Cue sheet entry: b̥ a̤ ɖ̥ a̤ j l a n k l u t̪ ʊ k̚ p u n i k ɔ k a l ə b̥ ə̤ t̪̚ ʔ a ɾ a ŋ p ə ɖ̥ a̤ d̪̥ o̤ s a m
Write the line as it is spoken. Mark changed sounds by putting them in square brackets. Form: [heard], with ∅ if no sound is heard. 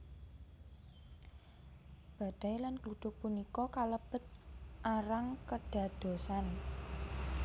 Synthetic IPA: b̥ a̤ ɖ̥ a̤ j l a n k l u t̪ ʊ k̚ p u n i k ɔ k a l ə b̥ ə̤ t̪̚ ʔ a ɾ a ŋ [k] ə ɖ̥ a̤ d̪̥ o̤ s a [n]